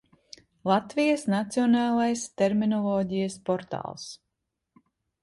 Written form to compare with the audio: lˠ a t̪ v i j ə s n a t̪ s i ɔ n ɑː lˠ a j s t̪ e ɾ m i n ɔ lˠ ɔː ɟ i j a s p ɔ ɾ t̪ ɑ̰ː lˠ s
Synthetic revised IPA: lˠ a t̪ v i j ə s n a t̪ s i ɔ n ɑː lˠ a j s t̪ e ɾ m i n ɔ lˠ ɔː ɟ i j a s p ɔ ɾ t̪ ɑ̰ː lˠ s